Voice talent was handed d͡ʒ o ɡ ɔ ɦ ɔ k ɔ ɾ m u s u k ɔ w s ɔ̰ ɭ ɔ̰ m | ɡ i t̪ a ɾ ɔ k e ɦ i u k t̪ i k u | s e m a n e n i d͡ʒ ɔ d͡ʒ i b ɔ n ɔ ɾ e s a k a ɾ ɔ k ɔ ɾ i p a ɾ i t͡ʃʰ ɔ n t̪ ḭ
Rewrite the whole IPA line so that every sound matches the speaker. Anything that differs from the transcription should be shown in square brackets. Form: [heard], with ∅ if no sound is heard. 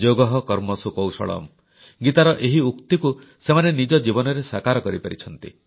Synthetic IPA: d͡ʒ o ɡ ɔ ɦ ɔ k ɔ ɾ m [ɔ] s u k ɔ w s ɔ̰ ɭ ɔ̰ m | ɡ i t̪ a ɾ ɔ [ʔ] e ɦ i u k t̪ i k u | s e m a n e n i d͡ʒ ɔ d͡ʒ i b ɔ n ɔ ɾ e s a k a ɾ ɔ k ɔ ɾ i p a ɾ i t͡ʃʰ ɔ n t̪ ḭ